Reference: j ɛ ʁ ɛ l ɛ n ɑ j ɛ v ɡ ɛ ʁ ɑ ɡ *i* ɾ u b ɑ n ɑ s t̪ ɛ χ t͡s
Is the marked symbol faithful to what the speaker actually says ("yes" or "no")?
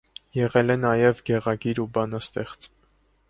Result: yes